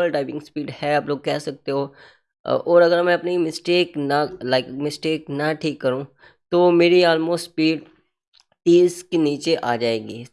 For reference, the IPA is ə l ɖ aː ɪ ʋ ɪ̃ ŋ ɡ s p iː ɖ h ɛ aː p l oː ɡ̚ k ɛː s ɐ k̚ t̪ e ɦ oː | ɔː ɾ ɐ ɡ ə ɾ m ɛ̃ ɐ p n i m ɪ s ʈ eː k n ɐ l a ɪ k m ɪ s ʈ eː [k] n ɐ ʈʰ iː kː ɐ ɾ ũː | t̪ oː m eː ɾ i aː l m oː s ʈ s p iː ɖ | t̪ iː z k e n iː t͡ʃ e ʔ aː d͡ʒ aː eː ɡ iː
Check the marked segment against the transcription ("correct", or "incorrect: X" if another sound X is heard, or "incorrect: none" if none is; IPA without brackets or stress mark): correct